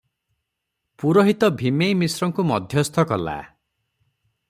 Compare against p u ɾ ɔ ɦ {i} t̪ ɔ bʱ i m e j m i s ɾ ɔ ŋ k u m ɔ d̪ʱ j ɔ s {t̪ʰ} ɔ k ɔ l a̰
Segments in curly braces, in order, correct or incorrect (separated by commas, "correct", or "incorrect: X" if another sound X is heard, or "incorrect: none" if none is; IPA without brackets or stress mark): correct, correct